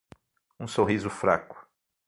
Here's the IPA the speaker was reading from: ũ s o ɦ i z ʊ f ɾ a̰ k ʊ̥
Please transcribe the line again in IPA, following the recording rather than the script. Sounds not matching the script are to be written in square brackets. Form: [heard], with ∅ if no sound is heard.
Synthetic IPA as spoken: ũ s o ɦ i z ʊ f ɾ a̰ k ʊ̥